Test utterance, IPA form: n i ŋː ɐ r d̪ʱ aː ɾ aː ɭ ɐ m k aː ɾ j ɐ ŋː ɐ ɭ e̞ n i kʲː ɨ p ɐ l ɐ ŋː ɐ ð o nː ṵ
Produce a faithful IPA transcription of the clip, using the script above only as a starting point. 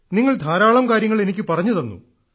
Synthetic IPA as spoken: n i ŋː ɐ ɭ d̪ʱ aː ɾ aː ɭ ɐ m k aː ɾ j ɐ ŋː ɐ ɭ e̞ n i kʲː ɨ p ɐ r ɐ ɲː ɐ ð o nː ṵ